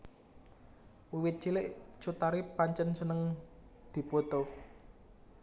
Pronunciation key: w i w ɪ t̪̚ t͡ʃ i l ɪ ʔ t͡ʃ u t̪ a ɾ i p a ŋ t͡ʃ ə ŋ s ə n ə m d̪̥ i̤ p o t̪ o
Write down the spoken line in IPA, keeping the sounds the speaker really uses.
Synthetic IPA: w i w ɪ t̪̚ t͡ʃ i l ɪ ʔ t͡ʃ u t̪ a ɾ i p a ɲ t͡ʃ ə n s ə n ə ŋ d̪̥ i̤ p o t̪ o